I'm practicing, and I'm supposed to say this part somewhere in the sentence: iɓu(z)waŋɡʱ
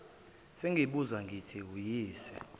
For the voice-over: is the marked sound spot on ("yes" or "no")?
yes